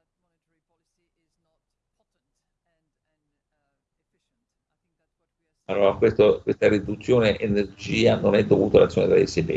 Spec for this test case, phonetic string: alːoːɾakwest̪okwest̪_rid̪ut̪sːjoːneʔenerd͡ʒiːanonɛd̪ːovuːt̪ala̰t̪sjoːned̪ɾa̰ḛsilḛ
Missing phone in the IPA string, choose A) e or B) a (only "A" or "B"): B